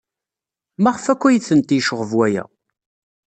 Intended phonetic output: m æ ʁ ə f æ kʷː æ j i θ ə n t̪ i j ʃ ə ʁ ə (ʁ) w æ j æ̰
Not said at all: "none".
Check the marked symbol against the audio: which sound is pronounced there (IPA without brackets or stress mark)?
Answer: v